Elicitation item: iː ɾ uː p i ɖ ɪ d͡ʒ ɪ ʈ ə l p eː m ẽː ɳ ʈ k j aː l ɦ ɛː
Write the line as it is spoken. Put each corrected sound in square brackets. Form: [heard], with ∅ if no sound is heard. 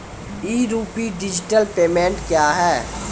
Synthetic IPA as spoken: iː ɾ uː p i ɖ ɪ d͡ʒ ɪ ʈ ə l p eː m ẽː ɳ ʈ k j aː [∅] ɦ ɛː

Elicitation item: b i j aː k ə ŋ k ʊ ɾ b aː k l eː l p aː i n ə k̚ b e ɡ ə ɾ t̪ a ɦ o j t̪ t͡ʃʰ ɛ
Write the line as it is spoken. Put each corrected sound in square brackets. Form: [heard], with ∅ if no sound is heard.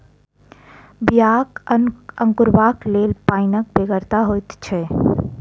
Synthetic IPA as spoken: b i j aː k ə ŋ k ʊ ɾ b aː k l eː l p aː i n ə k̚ b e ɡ ə ɾ t̪ a ɦ o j t̪ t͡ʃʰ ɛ

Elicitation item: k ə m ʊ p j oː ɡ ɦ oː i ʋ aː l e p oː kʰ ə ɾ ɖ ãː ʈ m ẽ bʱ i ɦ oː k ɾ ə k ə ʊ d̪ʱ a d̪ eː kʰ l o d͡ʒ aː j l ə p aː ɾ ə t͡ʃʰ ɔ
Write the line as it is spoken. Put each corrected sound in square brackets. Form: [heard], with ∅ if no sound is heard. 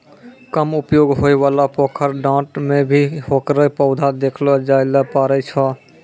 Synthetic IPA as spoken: k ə m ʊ p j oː ɡ ɦ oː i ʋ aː l [a] p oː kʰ ə ɾ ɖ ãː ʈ m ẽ bʱ i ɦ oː k ɾ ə [p] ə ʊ d̪ʱ a d̪ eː kʰ l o d͡ʒ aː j l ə p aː ɾ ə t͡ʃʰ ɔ

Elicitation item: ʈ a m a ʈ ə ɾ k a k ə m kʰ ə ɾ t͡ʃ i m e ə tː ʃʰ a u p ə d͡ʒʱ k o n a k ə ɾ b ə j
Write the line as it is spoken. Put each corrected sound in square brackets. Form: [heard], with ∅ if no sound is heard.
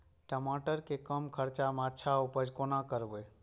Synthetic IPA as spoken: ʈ [ə] m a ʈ ə ɾ k [e] k ə m kʰ ə ɾ t͡ʃ [a] m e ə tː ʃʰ a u p ə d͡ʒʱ k o n a k ə ɾ b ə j

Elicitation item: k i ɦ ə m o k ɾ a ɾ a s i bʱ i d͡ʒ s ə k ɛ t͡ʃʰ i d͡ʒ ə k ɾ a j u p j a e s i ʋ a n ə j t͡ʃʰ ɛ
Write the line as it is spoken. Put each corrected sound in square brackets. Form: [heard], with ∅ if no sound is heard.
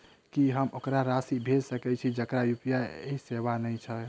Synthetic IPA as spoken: k i ɦ ə m o k ɾ a ɾ a s i bʱ [e] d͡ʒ s ə k ɛ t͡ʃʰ i d͡ʒ ə k ɾ a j u p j a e s [e] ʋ a n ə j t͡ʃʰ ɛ

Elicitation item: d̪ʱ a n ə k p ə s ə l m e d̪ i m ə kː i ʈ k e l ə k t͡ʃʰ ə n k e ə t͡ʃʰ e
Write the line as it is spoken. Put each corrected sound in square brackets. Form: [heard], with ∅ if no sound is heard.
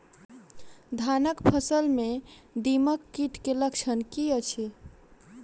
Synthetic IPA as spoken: d̪ʱ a n ə k [pʰ] ə s ə l m e d̪ i m ə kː i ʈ k e l ə k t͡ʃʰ ə n k [i] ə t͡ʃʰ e

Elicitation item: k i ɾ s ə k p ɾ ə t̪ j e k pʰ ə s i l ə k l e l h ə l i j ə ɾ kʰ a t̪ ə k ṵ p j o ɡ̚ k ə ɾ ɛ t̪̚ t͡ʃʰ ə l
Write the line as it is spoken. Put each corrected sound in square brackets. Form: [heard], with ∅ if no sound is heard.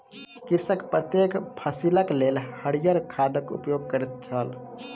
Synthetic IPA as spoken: k i ɾ s ə k p ɾ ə t̪ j e k pʰ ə s i l ə k l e l h ə [ɽ] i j ə ɾ kʰ a [d̪] ə k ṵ p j o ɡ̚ k ə ɾ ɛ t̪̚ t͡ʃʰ ə l

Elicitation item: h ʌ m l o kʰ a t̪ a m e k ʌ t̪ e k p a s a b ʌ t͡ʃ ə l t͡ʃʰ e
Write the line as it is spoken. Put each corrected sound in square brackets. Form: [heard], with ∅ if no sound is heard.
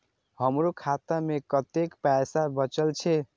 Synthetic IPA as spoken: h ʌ m [ɾ] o kʰ a t̪ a m e k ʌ t̪ e k p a s a b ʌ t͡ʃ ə l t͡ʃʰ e

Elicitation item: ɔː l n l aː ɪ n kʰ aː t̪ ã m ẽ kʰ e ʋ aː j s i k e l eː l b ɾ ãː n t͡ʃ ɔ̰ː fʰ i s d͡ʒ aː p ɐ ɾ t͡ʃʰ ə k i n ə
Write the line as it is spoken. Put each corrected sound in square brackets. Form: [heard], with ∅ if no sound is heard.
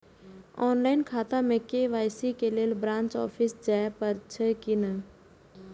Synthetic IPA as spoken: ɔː [∅] n l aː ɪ n kʰ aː t̪ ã m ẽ [k] e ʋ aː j s i k e l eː l b ɾ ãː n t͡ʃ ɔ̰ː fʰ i s d͡ʒ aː p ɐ ɾ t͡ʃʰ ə k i n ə

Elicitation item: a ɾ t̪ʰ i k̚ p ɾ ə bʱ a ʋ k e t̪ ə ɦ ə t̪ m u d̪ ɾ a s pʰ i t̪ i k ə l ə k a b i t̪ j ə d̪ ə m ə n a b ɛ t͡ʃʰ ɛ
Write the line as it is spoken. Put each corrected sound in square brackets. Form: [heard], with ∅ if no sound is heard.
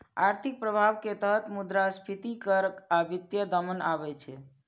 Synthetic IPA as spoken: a ɾ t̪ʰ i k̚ p ɾ ə bʱ a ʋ k e t̪ ə ɦ ə t̪ m u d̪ ɾ a s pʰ i t̪ i k ə [ɾ] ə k a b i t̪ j ə d̪ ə m ə n a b ɛ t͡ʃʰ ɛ

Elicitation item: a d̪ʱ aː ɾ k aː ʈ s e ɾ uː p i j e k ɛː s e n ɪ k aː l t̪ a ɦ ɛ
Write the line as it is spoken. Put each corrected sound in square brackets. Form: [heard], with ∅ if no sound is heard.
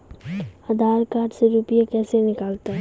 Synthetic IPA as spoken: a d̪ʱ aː ɾ k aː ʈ s e ɾ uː p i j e k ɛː s e n ɪ k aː l t̪ a ɦ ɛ

